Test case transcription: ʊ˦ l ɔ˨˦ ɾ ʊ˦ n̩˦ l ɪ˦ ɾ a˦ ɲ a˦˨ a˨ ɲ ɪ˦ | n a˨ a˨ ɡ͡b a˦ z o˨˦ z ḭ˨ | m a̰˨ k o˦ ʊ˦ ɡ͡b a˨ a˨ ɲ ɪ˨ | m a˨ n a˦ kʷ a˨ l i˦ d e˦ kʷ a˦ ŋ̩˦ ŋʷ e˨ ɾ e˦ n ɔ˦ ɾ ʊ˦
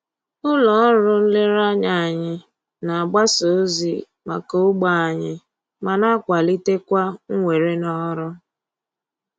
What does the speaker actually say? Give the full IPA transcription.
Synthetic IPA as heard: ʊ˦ l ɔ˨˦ ɾ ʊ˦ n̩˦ l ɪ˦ ɾ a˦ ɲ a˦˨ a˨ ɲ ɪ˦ | n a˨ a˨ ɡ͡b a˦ s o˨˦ z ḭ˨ | m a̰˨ k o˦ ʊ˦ ɡ͡b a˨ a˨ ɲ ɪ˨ | m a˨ n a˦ kʷ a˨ l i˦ t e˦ kʷ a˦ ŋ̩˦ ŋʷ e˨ ɾ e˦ n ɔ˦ ɾ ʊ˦